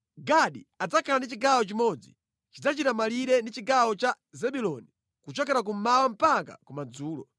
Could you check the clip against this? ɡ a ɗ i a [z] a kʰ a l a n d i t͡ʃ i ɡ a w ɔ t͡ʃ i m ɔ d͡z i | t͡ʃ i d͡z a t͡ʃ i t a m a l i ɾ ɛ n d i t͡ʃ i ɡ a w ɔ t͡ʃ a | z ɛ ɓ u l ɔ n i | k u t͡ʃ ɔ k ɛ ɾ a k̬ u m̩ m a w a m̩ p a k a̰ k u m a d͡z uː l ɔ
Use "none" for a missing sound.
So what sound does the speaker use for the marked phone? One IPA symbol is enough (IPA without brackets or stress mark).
d͡z